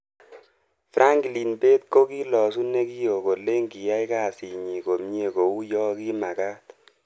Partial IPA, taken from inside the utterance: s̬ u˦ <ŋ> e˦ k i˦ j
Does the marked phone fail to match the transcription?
yes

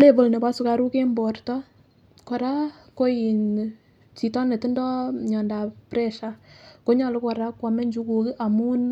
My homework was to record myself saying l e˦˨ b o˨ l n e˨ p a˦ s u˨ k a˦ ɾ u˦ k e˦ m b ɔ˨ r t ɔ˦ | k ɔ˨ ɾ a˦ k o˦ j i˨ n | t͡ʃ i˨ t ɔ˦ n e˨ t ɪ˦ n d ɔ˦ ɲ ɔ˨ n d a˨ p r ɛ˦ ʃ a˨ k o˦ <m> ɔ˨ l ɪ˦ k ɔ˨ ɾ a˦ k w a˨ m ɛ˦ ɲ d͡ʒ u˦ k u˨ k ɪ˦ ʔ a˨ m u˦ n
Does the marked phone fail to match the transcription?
yes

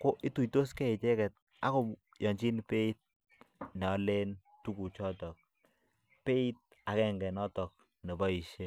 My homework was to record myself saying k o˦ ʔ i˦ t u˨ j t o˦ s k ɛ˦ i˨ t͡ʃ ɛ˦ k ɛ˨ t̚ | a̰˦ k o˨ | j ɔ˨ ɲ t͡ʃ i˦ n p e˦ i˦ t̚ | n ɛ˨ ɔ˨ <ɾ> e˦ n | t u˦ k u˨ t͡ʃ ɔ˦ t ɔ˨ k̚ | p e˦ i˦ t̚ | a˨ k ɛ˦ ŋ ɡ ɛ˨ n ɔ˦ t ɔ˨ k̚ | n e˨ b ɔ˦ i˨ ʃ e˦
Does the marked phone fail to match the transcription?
yes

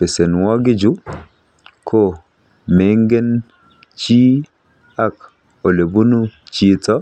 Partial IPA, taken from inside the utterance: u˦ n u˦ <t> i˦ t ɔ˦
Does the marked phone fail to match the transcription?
yes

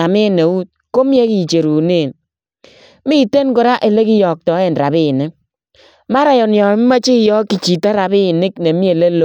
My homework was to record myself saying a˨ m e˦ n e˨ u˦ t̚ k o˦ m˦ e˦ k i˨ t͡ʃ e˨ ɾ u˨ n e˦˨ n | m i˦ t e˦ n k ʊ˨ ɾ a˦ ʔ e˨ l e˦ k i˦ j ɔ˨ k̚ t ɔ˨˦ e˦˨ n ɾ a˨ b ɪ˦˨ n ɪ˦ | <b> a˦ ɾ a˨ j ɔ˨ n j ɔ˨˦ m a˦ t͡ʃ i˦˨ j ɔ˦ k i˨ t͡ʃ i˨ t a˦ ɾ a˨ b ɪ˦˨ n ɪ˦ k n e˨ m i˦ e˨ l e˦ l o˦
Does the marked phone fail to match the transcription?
yes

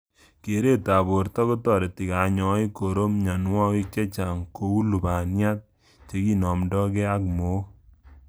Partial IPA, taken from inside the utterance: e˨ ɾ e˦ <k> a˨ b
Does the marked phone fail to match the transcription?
yes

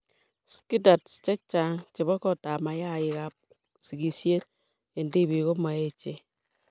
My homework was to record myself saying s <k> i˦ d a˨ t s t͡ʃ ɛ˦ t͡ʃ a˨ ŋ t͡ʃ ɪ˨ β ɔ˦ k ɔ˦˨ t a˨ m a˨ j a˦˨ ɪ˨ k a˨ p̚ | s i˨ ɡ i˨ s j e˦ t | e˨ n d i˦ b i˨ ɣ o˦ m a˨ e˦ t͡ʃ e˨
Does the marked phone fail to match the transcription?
no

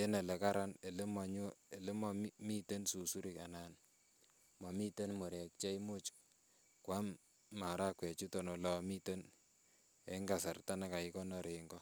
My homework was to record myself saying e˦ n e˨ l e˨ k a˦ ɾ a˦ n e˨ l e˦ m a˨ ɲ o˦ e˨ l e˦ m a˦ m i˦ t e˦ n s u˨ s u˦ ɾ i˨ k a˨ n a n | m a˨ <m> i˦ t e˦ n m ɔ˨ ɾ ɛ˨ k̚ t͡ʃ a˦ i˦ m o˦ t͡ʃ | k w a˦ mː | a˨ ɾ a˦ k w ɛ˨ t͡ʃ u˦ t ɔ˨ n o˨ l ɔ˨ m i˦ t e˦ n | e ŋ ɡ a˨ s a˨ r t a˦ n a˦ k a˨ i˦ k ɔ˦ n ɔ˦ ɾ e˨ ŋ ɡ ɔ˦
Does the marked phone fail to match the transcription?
no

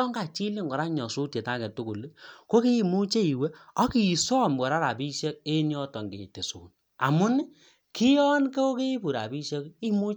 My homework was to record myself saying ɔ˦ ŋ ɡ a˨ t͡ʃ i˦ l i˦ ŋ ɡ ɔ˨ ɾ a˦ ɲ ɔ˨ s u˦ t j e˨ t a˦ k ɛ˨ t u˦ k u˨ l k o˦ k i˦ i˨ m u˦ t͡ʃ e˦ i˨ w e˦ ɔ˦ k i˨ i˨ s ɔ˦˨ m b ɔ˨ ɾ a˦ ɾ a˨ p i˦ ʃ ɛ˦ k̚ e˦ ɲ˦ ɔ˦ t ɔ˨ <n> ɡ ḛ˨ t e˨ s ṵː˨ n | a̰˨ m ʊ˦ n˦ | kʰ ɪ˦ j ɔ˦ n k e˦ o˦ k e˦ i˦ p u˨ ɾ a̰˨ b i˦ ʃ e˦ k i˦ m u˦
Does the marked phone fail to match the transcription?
yes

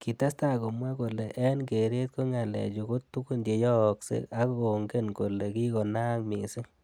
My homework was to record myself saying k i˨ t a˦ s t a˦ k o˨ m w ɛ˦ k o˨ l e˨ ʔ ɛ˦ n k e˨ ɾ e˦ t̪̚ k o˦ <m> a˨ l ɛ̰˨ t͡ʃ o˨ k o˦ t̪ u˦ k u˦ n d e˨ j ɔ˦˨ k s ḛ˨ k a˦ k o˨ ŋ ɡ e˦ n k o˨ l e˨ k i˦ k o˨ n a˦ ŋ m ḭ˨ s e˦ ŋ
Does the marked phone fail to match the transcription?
yes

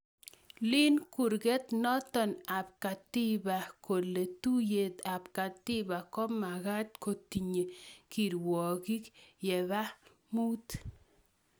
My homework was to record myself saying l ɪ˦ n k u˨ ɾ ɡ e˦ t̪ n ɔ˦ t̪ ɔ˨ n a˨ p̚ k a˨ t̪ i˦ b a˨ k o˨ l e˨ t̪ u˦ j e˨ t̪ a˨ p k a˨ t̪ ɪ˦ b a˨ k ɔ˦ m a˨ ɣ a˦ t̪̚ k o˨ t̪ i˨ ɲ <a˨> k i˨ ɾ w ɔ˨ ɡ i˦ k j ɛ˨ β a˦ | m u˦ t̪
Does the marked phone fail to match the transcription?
yes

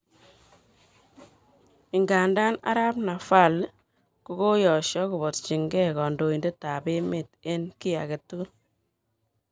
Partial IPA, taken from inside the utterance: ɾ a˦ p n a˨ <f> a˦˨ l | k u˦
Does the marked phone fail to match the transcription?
no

